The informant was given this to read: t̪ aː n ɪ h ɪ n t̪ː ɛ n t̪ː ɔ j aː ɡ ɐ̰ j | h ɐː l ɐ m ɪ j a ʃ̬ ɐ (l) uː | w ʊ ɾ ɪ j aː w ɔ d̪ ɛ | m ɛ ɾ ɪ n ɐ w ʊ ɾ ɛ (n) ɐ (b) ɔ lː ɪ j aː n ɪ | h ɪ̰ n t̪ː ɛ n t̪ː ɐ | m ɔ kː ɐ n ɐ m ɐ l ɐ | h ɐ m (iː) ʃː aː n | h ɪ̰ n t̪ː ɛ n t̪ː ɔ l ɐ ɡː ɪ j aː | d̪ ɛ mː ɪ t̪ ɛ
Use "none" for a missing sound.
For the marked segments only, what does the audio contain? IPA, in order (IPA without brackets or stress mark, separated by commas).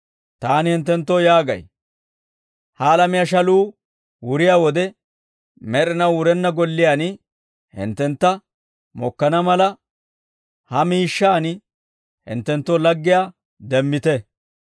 l, nː, ɡ, iː